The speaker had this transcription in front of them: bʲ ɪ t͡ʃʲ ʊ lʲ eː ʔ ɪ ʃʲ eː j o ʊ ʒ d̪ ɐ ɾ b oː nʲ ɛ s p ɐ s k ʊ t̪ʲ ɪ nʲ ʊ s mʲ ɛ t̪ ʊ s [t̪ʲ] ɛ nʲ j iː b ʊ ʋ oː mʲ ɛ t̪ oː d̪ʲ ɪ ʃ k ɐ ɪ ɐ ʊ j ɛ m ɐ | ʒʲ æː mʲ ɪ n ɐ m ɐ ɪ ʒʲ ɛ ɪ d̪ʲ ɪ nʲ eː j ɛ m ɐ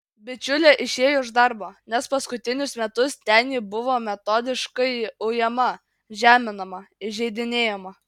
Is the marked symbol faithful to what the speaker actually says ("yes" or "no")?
yes